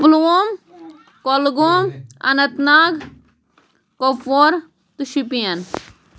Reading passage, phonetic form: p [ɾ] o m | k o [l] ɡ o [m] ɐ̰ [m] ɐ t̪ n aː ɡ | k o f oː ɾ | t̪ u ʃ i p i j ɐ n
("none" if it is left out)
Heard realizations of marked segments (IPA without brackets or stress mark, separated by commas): l, l, m, n